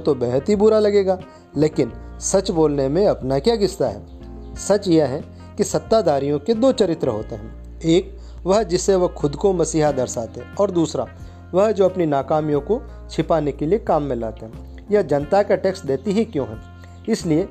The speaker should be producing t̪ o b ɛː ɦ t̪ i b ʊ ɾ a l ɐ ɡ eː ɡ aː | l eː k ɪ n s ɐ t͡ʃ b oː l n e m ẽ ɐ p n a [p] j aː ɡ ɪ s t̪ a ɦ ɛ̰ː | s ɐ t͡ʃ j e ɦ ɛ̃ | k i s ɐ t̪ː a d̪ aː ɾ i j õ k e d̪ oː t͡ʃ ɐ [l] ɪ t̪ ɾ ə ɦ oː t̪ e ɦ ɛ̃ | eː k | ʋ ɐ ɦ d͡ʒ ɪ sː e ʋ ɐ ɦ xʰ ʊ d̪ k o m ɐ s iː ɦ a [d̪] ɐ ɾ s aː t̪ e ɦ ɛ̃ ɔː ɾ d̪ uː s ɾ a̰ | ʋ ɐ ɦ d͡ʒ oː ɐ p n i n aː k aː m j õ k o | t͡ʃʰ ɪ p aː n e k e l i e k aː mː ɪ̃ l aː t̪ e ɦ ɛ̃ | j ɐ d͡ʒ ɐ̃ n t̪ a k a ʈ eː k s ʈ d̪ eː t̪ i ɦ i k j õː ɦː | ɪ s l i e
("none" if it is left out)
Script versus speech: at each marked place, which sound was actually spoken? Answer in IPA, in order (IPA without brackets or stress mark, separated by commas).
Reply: k, ɾ, d̪